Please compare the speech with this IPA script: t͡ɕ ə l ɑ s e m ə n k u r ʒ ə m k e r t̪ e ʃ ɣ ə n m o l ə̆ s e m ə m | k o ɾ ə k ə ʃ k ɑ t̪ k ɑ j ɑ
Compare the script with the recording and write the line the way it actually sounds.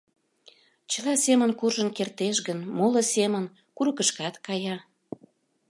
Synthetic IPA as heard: t͡ɕ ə l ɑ s e m ə n k u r ʒ ə n k e r t̪ e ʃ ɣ ə n m o l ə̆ s e m ə n | k u ɾ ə k ə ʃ k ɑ t̪ k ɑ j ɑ